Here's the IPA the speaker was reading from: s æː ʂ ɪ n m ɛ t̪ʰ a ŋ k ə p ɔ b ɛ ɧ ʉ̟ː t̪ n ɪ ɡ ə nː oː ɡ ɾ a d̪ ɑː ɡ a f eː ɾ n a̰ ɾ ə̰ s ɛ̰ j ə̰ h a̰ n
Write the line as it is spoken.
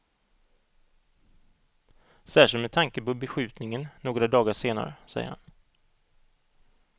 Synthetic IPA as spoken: s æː ʂ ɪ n m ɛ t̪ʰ a ŋ k ə p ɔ b ɛ ɧ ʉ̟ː t̪ n ɪ ŋ ə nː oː ɡ ɾ a d̪ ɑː ɡ a ʂ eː n a̰ ɾ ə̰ s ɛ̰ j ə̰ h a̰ n